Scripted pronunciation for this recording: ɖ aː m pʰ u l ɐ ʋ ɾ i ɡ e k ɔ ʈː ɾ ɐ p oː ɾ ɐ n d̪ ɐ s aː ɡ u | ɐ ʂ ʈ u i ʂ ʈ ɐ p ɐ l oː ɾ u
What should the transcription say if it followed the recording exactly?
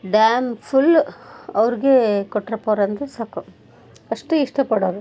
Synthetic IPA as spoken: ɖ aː m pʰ u l ɐ ʋ ɾ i ɡ e k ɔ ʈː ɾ ɐ p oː ɾ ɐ n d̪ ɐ s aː k u | ɐ ʂ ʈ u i ʂ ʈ ɐ p ɐ ɽ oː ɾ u